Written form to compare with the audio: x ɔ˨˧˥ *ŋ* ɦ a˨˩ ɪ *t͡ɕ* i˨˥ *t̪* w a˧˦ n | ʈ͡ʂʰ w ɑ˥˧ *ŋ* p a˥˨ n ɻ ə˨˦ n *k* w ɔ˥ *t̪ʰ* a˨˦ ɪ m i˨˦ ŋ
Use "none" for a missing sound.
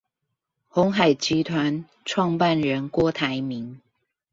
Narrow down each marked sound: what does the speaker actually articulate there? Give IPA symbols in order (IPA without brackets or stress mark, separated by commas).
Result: ŋ, t͡ɕ, t̪ʰ, ŋ, k, t̪ʰ